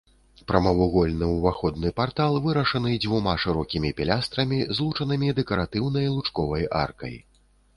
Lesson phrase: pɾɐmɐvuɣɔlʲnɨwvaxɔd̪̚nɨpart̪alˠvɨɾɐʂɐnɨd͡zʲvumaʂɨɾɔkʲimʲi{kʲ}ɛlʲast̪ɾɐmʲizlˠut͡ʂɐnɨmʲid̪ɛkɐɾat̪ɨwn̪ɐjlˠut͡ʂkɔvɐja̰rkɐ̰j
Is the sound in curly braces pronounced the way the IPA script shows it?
no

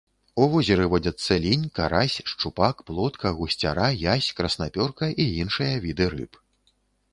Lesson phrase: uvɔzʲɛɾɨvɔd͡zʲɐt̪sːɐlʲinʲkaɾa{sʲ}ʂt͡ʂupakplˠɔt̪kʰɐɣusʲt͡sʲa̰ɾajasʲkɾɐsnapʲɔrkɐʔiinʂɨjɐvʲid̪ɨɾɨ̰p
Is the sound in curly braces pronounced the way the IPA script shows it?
yes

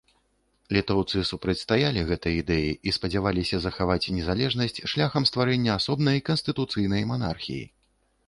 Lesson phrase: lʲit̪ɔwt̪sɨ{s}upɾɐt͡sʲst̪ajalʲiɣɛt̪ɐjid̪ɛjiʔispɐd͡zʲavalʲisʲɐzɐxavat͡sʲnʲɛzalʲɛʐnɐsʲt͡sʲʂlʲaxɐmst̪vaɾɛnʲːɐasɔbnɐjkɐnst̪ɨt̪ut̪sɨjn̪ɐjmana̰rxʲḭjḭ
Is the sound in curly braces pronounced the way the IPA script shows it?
yes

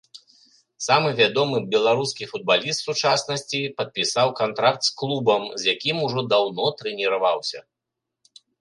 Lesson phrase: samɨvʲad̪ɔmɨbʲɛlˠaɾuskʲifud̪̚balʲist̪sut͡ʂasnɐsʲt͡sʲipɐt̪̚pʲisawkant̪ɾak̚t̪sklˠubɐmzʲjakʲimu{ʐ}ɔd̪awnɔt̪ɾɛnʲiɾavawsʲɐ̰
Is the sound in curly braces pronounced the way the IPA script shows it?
yes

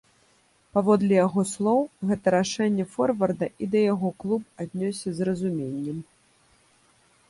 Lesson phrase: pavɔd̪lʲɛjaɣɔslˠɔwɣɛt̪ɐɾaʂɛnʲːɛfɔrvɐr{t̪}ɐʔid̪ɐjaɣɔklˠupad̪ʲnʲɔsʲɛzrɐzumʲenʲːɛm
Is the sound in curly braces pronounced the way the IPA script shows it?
no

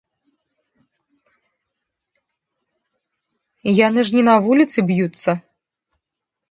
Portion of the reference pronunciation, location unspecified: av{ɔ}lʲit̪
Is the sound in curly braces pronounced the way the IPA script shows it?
no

